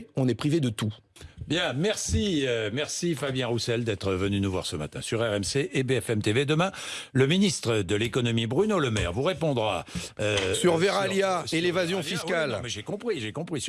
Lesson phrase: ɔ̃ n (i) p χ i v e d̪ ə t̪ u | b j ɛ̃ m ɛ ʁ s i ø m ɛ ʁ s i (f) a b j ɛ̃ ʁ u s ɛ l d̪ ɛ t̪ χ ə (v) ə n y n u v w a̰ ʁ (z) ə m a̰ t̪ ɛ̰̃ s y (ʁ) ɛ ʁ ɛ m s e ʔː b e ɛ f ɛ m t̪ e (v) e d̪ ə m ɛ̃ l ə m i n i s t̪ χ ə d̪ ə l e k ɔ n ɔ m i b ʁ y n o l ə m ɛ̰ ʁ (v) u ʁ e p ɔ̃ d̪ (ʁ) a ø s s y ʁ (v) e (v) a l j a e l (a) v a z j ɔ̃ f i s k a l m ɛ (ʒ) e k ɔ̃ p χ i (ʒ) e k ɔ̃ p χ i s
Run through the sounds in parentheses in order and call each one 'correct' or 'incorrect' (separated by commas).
incorrect, correct, correct, incorrect, correct, correct, correct, correct, correct, incorrect, incorrect, correct, correct